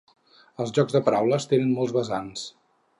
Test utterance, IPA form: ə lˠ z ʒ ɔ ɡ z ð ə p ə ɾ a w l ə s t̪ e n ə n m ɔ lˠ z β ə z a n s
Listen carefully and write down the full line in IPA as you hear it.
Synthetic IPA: ə lˠ z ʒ ɔ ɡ z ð ə p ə ɾ a w l ə s t̪ e n ə n m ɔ lˠ z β ə z a n s